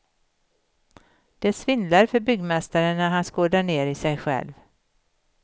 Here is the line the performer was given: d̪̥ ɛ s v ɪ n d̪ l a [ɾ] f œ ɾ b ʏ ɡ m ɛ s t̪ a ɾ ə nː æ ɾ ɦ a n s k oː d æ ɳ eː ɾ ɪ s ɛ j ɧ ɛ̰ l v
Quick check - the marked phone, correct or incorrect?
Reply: correct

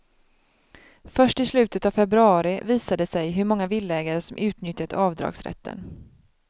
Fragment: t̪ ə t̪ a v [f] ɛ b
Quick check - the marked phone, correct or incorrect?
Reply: correct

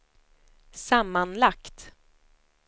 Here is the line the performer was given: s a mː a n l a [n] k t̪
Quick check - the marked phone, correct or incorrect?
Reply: incorrect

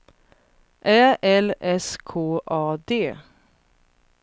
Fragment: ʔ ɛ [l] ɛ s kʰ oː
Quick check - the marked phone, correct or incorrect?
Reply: correct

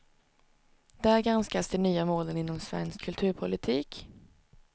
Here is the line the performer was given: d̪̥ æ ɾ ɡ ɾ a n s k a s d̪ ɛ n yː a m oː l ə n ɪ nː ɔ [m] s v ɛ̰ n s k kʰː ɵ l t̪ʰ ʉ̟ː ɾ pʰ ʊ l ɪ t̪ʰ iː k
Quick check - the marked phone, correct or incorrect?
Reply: correct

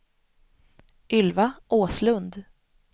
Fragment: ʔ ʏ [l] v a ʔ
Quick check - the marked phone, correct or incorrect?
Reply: correct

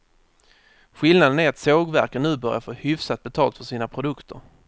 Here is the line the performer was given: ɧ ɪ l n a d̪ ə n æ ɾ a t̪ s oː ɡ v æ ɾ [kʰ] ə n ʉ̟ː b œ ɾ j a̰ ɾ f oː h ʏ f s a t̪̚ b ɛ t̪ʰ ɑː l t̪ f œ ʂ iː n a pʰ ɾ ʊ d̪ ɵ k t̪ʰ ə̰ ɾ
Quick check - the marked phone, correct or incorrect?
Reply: incorrect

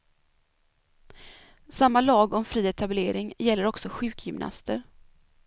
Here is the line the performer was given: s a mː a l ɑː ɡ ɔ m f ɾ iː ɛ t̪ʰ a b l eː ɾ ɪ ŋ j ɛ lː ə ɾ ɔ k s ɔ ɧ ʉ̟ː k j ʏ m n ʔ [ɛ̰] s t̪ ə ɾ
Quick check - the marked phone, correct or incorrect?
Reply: incorrect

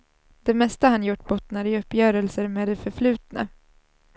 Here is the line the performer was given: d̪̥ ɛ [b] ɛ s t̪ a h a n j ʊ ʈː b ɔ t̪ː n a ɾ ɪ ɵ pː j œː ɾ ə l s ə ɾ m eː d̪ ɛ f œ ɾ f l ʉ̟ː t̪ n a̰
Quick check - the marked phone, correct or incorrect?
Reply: incorrect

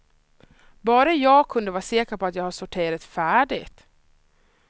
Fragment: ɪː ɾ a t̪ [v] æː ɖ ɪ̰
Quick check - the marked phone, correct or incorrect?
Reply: incorrect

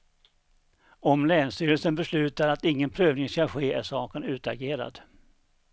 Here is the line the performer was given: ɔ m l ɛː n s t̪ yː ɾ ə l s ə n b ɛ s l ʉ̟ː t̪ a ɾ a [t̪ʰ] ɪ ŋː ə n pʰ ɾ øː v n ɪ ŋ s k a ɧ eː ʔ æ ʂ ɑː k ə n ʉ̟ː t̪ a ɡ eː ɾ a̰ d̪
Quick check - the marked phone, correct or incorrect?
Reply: incorrect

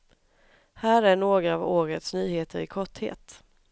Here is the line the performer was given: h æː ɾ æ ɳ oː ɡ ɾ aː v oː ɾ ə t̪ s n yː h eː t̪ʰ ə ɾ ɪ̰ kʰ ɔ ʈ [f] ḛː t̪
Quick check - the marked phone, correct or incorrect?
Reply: incorrect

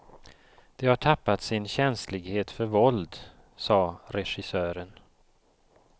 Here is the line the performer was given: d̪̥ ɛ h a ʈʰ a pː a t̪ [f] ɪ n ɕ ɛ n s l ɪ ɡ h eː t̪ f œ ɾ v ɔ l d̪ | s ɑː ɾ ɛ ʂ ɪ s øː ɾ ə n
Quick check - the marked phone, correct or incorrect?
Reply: incorrect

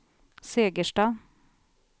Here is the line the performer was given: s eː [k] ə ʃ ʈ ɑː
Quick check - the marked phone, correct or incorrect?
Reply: incorrect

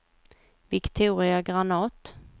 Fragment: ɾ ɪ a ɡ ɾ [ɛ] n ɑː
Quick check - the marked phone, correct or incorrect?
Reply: incorrect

